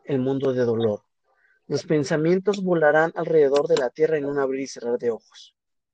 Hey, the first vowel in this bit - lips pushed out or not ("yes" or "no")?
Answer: no